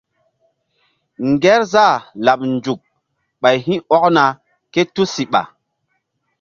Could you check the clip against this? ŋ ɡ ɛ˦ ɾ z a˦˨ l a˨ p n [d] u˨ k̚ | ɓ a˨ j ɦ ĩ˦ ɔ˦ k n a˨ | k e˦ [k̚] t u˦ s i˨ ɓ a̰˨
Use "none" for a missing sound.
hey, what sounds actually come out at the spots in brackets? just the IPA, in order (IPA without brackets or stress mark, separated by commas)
d͡ʒ, none